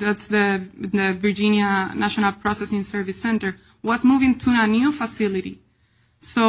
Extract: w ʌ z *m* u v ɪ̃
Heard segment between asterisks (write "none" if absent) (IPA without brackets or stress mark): m